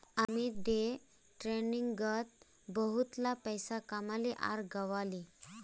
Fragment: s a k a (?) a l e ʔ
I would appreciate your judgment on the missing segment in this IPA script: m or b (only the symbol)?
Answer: m